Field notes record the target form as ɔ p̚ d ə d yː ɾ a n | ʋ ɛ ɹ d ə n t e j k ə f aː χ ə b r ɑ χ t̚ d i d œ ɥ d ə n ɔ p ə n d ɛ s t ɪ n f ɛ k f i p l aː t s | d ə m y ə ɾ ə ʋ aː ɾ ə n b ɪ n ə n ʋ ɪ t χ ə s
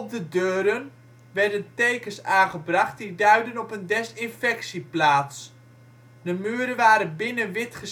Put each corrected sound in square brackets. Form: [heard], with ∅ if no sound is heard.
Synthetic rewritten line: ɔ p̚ d ə d [øː] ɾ [ə] n | ʋ ɛ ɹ d ə n t e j k ə [s] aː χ ə b r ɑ χ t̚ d i d œ ɥ d ə n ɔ p ə n d ɛ s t ɪ n f ɛ k [s] i p l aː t s | d ə m y ə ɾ ə ʋ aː ɾ ə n b ɪ n ə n ʋ ɪ t χ ə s